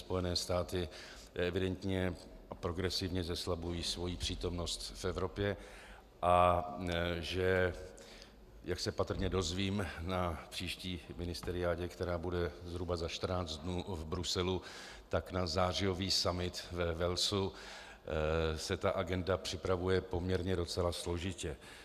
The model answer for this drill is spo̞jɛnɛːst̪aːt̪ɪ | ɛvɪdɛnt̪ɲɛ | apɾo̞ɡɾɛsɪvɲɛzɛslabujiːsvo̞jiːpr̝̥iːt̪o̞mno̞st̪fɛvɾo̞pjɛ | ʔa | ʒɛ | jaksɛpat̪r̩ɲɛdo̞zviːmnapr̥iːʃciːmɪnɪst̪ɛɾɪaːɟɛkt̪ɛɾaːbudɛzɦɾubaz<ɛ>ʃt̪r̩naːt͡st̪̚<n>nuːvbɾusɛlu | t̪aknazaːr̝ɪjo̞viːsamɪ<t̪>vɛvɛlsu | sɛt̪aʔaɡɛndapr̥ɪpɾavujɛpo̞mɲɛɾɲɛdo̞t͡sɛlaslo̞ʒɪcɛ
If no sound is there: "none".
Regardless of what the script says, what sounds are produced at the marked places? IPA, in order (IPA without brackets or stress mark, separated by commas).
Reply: a, d, t̪